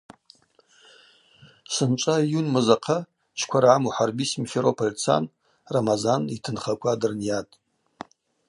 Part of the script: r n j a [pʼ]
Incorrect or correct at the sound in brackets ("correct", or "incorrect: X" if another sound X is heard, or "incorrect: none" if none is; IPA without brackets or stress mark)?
incorrect: tʼ